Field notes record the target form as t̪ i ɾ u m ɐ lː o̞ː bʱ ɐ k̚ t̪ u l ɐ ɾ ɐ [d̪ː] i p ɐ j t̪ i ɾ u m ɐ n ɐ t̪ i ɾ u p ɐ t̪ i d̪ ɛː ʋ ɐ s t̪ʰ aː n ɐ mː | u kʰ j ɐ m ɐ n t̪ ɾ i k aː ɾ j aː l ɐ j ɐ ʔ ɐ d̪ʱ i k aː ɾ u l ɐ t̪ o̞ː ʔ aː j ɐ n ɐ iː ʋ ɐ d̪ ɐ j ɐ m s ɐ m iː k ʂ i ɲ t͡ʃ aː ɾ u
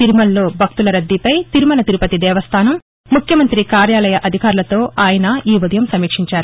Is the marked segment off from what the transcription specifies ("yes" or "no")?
no